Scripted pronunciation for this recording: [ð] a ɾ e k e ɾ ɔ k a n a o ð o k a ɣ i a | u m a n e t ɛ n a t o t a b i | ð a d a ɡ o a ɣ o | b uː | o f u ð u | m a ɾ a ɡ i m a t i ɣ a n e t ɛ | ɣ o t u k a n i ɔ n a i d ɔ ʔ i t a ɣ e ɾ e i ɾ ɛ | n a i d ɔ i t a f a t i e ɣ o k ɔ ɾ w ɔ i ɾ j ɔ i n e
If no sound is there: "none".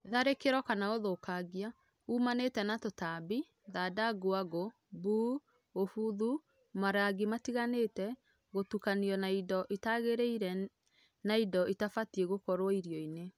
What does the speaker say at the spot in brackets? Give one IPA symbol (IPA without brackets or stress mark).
ð